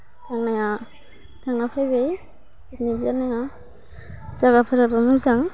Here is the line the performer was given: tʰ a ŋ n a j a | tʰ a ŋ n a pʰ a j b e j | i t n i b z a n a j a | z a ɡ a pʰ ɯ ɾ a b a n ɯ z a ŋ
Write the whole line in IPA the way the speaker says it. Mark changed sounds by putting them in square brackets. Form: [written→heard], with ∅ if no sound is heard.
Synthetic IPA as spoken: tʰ a ŋ n a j a | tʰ a ŋ n a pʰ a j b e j | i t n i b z a n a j a | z a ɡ a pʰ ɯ ɾ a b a [n→m] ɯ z a ŋ